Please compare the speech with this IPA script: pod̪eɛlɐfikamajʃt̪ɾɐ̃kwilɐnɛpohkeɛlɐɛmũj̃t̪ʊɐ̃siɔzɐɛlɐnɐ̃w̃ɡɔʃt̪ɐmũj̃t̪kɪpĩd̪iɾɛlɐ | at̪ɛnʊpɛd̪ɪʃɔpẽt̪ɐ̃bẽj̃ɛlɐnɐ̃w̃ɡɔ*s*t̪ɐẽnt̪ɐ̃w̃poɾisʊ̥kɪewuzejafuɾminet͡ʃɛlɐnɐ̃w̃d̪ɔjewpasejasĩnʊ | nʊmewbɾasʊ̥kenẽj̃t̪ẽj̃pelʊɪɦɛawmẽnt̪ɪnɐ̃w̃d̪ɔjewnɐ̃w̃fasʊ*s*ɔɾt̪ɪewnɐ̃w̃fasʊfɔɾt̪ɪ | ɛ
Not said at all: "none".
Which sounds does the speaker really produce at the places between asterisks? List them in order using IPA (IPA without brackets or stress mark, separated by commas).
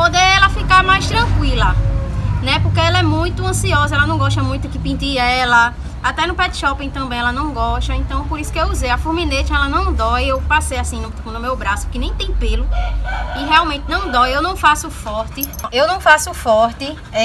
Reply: ʃ, f